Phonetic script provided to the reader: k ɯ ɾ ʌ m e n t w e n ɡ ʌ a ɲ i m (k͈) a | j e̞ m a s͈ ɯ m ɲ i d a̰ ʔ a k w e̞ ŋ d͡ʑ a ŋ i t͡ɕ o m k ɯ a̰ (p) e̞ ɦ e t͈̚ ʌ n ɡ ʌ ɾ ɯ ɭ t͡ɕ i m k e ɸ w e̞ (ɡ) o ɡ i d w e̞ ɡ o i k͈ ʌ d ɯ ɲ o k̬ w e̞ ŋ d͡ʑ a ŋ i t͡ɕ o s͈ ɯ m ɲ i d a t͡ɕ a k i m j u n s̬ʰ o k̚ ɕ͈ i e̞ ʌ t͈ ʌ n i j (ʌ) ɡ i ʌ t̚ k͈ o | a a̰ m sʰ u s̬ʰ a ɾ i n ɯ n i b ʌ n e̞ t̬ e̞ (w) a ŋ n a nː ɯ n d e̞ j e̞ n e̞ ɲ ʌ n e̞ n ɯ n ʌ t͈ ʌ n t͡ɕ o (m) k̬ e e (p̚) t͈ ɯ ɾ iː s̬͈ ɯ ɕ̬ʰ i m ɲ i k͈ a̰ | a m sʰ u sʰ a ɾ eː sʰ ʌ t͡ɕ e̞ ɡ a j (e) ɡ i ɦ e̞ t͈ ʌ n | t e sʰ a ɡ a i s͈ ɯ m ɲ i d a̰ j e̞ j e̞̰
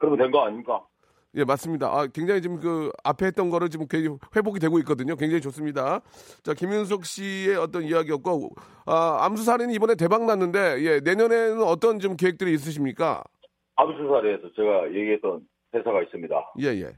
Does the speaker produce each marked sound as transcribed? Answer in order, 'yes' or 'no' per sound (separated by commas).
yes, no, no, no, no, yes, no, yes